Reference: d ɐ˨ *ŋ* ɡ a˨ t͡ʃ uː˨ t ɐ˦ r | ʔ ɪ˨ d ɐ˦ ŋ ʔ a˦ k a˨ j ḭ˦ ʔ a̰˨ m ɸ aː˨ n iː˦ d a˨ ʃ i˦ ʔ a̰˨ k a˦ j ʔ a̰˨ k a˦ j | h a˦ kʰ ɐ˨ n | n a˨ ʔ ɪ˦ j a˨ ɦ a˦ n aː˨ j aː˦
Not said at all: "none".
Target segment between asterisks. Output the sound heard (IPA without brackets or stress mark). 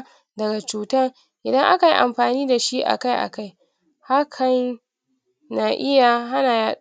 none